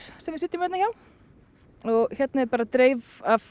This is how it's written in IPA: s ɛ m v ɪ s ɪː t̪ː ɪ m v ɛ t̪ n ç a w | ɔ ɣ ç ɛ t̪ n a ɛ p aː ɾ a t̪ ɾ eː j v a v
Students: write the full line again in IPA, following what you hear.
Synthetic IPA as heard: s ɛ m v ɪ s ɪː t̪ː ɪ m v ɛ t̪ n ç a w | ɔ ɣ ç ɛ t̪ n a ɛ p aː ɾ a t̪ ɾ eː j v a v